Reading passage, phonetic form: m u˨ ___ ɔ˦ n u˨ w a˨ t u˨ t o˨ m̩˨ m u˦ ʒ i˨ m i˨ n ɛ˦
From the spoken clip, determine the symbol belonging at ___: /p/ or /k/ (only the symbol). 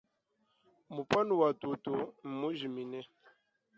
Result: p